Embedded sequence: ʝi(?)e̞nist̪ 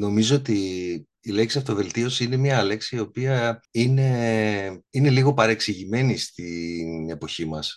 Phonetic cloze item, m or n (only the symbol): m